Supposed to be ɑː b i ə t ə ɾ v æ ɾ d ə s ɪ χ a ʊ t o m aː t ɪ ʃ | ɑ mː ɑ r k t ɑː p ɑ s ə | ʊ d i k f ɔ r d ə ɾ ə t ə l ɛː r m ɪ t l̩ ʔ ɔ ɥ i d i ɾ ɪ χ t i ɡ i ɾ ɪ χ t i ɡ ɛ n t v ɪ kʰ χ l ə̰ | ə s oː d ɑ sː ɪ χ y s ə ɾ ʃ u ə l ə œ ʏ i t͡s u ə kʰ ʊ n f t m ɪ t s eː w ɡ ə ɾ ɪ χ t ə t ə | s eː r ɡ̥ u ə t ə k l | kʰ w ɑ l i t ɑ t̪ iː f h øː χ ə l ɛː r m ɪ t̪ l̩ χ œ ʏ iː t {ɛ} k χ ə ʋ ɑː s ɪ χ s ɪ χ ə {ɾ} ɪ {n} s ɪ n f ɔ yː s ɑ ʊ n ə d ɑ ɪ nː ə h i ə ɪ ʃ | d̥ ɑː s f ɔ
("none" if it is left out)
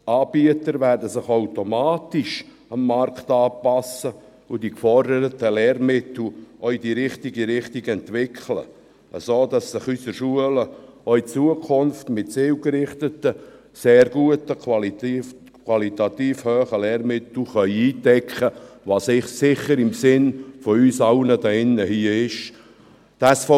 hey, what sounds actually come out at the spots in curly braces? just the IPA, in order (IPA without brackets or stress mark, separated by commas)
ɛ, ɾ, m